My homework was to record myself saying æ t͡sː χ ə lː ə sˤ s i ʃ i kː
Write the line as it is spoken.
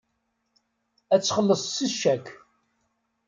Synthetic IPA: æ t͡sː χ ə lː ə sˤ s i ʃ æ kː